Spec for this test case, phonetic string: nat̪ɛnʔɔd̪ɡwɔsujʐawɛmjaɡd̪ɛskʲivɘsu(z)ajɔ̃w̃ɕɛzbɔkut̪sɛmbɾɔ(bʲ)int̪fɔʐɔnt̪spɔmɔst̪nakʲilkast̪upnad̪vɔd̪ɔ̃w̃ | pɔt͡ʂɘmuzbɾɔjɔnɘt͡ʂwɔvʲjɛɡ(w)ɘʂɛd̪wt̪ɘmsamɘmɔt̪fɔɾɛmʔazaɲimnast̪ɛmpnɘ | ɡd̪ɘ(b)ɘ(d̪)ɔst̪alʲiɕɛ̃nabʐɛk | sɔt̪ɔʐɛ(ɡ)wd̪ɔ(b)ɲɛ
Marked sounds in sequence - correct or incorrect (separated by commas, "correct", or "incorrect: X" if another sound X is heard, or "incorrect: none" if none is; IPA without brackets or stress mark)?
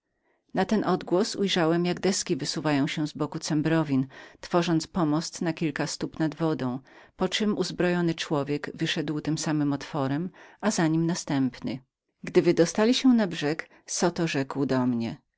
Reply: incorrect: v, incorrect: vʲ, incorrect: v, incorrect: v, correct, incorrect: k, incorrect: m